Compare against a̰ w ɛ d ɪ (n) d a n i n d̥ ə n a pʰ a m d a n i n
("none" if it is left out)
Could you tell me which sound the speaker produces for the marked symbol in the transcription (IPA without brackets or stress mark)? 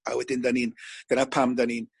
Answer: n